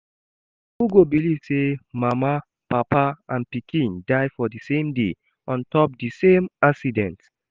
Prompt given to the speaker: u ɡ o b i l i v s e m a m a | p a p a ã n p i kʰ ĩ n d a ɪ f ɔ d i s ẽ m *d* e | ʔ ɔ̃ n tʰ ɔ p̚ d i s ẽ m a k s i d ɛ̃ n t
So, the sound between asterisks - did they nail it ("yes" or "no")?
yes